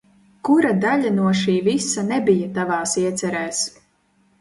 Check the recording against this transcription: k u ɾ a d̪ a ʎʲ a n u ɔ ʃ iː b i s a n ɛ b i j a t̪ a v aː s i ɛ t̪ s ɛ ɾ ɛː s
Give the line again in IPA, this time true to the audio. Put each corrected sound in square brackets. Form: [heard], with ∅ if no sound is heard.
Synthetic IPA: k u ɾ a d̪ a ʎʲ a n u ɔ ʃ iː [v] i s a n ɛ b i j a t̪ a v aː s i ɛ t̪ s ɛ ɾ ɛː s